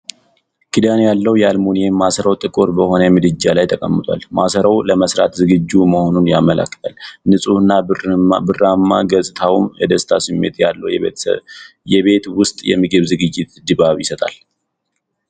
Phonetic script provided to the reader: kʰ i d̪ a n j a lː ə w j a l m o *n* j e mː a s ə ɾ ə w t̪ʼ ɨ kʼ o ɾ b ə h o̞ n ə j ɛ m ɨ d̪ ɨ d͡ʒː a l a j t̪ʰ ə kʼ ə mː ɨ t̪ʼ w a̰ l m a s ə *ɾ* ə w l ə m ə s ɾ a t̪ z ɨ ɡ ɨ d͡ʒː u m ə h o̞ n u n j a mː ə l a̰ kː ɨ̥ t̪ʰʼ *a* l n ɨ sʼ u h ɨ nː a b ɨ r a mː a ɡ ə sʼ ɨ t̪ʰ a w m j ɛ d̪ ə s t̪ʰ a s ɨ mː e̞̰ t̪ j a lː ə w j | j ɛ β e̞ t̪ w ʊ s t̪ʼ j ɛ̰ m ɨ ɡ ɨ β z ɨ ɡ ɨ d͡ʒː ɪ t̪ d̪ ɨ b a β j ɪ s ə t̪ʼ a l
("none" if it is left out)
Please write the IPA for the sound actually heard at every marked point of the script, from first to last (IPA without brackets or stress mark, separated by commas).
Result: n, ɾ, a